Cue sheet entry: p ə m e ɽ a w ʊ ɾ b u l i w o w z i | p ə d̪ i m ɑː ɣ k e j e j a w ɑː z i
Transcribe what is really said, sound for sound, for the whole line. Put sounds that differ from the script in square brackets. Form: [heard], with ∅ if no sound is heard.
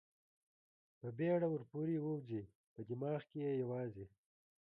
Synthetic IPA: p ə [b] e ɽ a w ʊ ɾ [p] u [ɾ] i w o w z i | p ə d̪ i m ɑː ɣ k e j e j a w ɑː z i